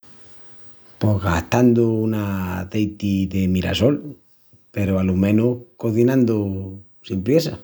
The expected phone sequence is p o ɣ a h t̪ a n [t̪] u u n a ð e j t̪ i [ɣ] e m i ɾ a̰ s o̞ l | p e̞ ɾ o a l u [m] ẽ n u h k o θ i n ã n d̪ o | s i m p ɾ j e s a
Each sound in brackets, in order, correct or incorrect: incorrect: d̪, incorrect: ð, correct

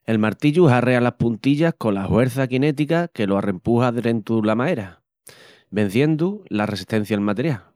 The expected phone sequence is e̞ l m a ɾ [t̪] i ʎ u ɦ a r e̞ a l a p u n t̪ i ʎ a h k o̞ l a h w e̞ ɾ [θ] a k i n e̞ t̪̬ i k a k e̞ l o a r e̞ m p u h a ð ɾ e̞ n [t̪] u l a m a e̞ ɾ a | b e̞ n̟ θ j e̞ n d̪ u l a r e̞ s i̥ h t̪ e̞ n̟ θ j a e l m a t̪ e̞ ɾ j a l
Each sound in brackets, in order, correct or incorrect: correct, correct, correct

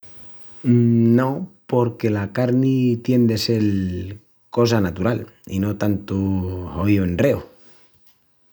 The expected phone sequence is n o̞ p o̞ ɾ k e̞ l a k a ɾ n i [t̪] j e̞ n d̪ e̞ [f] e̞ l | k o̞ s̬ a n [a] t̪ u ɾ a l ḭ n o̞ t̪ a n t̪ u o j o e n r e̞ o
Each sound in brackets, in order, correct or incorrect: correct, incorrect: s, correct

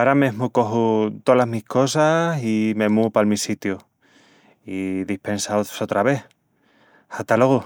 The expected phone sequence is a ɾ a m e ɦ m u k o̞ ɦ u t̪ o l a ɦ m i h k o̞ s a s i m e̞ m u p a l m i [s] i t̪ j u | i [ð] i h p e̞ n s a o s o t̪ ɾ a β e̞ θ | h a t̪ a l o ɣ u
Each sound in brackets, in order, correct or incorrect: correct, correct

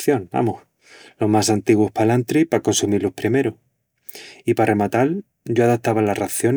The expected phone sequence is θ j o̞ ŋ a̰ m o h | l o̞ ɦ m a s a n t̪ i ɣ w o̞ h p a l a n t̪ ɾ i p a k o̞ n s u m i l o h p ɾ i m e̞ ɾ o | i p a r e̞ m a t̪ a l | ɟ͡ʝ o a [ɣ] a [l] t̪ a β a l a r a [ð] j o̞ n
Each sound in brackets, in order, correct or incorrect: incorrect: ð, incorrect: none, incorrect: θ

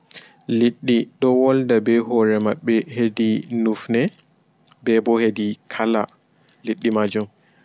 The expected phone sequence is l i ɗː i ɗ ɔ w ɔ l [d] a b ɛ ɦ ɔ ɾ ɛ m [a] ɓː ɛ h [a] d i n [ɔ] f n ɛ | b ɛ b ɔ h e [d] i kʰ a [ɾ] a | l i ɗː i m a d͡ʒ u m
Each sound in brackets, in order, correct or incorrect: correct, correct, incorrect: e, incorrect: u, correct, incorrect: l

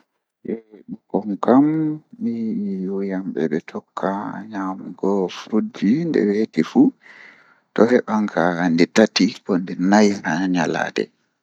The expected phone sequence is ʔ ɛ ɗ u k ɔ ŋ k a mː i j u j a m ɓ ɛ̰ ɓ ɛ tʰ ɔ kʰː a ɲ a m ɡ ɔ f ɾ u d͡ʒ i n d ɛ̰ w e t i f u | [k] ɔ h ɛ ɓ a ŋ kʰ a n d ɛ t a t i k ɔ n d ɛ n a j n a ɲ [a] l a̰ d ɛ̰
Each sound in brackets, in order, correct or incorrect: incorrect: t, correct

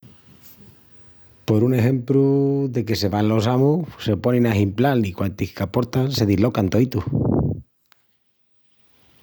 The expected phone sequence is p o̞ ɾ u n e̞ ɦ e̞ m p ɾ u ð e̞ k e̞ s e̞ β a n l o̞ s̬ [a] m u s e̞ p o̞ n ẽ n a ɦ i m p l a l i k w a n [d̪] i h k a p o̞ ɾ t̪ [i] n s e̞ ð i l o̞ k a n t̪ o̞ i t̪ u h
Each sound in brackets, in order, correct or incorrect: correct, incorrect: t̪, incorrect: a

